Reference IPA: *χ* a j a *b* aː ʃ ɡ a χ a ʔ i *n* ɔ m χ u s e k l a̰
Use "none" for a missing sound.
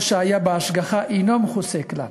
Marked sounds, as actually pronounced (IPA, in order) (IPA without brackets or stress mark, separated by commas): ʃ, b, n